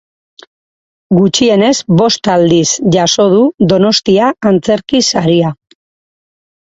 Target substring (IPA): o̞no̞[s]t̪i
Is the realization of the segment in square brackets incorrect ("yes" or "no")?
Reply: no